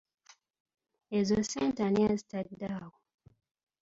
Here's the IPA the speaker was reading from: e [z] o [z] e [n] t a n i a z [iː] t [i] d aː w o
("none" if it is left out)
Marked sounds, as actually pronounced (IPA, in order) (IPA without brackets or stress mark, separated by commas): z, s, n, i, a